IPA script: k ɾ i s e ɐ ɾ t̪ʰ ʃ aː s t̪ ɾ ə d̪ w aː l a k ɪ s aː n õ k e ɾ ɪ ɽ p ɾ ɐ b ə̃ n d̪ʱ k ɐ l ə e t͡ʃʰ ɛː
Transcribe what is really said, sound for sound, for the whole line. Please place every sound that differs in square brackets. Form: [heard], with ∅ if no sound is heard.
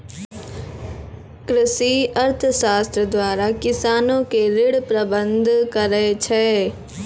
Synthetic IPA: k ɾ [ɪ] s [i] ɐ ɾ t̪ʰ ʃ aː s t̪ ɾ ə d̪ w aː [ɾ] a k ɪ s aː n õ k e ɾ ɪ ɽ p ɾ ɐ b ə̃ n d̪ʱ k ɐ [ɾ] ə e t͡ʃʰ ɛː